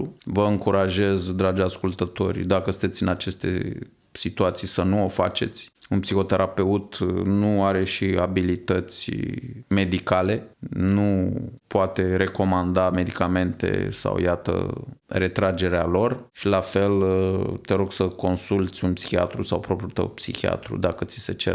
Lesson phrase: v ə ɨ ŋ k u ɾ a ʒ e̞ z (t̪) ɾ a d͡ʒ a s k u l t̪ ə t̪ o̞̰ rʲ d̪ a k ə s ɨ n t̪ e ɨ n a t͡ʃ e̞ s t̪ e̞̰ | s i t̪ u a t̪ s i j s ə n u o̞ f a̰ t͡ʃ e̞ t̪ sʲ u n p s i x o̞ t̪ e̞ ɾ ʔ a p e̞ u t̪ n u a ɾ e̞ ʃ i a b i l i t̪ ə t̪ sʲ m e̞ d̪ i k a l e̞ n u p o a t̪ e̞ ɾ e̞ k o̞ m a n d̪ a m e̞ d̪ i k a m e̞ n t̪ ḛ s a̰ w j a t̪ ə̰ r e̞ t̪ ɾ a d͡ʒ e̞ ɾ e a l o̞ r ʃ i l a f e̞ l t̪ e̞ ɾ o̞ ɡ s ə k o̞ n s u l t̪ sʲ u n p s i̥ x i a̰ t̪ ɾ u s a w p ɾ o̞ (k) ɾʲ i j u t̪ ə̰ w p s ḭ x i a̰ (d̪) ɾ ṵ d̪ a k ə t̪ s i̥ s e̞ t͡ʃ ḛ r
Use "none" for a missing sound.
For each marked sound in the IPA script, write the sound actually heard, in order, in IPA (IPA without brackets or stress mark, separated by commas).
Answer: d̪, p, t̪